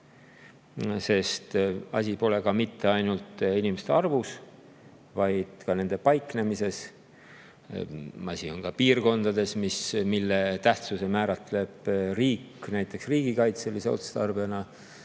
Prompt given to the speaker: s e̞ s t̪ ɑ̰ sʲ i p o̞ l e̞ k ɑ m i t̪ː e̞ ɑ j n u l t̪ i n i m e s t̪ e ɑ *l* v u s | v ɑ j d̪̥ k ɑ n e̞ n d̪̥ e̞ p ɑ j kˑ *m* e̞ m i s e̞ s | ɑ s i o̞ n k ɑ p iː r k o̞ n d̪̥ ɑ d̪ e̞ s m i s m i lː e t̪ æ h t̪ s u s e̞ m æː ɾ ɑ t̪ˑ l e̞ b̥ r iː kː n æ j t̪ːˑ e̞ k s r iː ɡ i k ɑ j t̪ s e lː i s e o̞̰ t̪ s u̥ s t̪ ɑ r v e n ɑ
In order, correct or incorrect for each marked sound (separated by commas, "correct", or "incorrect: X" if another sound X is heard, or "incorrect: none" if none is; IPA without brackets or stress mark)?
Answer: incorrect: r, incorrect: n